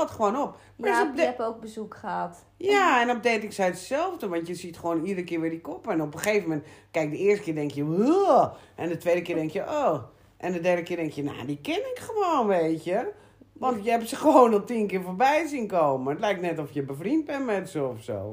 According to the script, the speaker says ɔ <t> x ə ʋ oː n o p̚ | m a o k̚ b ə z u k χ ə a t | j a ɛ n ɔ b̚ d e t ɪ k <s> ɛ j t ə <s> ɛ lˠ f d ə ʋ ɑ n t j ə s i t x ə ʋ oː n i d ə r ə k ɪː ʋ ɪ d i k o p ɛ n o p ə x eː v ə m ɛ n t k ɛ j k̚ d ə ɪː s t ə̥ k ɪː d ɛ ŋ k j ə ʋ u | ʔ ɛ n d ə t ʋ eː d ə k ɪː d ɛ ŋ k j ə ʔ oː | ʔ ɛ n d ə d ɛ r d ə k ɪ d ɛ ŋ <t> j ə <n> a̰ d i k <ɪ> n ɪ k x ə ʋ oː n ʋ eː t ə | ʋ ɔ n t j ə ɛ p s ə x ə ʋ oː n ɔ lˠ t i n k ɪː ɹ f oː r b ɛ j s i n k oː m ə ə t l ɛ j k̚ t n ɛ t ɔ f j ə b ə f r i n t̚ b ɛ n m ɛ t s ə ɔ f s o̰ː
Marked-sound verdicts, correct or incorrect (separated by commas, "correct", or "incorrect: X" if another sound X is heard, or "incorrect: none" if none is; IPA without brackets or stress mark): correct, correct, correct, incorrect: k, correct, correct